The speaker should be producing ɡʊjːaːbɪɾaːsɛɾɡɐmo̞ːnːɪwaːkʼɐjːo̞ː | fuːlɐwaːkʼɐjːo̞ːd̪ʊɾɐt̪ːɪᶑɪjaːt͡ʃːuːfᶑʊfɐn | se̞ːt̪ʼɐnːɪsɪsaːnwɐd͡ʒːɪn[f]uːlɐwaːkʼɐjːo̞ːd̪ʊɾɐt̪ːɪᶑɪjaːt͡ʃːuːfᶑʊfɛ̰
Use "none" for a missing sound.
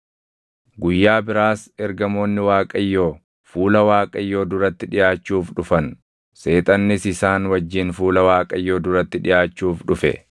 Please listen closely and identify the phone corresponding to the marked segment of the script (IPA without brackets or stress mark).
f